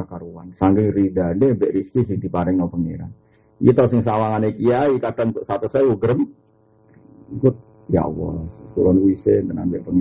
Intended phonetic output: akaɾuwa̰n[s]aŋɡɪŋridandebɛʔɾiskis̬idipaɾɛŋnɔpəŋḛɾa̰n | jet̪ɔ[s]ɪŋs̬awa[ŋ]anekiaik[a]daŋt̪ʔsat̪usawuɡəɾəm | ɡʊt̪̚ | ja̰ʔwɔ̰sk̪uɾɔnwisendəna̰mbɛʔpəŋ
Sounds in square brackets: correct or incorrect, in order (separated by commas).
correct, correct, correct, correct